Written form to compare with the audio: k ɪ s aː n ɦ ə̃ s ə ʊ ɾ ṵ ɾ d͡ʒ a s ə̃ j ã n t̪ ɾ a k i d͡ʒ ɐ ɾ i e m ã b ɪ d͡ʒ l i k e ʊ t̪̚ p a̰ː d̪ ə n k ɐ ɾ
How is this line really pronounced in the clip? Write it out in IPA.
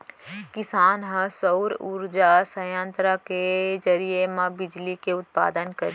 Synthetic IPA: k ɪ s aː n ɦ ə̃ s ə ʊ ɾ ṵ ɾ d͡ʒ a s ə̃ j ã n t̪ ɾ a k e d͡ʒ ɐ ɾ i e m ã b ɪ d͡ʒ l i k e ʊ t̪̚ p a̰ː d̪ ə n k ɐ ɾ